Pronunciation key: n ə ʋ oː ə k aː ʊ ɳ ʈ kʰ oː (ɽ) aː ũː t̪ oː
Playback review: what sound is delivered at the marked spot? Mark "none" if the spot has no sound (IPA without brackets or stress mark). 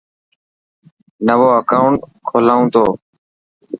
l